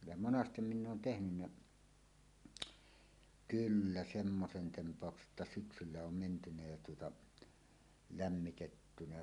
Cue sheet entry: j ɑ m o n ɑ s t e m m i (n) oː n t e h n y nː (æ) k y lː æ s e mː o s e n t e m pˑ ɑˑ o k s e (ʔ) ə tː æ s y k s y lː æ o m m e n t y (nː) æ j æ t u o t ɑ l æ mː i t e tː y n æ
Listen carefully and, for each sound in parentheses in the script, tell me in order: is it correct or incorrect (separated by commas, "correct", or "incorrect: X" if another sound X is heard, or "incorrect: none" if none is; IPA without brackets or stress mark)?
incorrect: nː, correct, correct, incorrect: n